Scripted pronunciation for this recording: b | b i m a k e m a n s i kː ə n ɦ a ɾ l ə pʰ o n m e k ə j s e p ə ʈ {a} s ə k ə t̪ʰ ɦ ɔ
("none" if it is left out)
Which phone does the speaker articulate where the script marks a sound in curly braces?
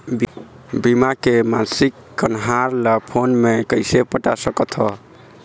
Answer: a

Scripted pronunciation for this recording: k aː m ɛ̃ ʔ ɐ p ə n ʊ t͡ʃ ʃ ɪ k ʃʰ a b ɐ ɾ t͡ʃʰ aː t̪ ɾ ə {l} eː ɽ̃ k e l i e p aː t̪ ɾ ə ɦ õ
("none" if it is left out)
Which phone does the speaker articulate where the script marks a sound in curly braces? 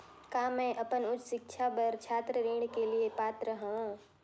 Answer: ɾ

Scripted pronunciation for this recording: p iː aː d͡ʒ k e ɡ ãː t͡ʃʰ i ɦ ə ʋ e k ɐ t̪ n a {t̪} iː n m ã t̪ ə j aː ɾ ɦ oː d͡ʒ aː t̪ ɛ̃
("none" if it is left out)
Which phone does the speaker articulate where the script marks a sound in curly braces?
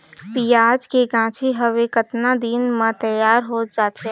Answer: d̪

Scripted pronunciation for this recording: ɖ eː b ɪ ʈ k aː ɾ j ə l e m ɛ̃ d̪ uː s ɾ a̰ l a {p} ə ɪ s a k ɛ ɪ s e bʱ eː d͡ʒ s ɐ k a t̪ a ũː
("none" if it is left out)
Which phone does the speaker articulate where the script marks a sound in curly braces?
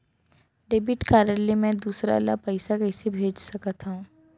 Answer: p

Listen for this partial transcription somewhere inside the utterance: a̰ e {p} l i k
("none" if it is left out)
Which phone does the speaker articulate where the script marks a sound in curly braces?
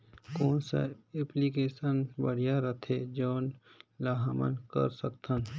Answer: p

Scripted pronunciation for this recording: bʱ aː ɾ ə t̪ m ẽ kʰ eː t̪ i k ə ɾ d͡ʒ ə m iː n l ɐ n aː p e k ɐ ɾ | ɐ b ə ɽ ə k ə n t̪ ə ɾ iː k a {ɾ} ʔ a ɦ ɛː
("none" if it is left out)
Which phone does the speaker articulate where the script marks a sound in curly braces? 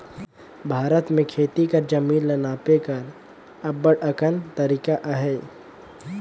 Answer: none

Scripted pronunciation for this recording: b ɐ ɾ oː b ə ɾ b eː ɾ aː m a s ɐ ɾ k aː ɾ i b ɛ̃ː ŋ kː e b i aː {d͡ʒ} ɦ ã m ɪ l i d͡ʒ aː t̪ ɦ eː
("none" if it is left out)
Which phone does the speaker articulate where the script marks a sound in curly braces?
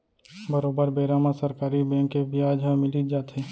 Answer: d͡ʒ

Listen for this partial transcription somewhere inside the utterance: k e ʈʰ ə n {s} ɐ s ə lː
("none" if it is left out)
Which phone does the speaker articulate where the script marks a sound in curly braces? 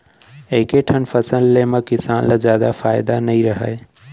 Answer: f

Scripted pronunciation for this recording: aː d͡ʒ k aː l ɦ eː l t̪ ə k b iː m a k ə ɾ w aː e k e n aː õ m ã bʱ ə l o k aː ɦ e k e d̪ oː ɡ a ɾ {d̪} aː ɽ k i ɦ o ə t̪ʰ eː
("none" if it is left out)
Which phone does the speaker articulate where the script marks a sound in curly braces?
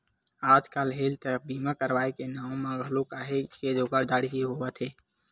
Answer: d̪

